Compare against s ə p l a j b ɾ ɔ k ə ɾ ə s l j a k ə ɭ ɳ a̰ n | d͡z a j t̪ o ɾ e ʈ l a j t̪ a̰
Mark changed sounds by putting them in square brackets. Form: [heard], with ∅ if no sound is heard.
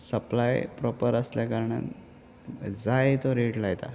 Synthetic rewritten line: s ə p l a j [p] ɾ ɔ [p] ə ɾ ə s l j a k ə [ɾ] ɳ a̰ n | d͡z a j t̪ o ɾ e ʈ l a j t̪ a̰